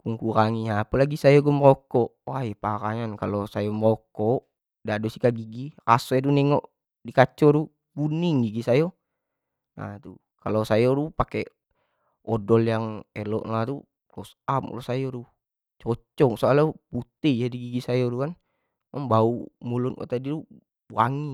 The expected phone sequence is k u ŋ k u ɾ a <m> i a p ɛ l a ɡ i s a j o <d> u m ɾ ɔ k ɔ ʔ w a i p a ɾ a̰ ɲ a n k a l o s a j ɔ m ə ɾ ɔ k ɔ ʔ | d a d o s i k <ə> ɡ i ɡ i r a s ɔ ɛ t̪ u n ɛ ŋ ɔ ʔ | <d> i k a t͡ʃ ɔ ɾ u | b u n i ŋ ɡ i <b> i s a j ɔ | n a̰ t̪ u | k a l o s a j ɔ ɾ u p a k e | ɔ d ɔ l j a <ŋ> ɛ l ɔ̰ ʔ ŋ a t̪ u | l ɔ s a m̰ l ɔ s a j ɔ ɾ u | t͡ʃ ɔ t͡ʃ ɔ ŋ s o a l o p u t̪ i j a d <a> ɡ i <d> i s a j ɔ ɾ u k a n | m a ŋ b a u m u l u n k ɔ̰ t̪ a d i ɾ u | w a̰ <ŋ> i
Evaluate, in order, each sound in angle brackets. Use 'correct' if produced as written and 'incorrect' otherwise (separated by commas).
incorrect, incorrect, incorrect, correct, incorrect, correct, incorrect, incorrect, correct